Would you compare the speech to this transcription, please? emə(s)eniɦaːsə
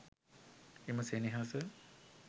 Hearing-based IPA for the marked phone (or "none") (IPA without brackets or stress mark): s